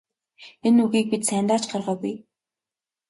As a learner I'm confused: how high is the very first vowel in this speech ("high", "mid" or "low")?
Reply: mid